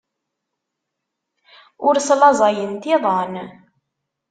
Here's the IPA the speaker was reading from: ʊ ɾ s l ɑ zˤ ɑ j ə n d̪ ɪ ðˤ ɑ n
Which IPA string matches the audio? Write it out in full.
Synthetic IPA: ʊ ɾ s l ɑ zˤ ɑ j ə n t̪ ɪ ðˤ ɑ n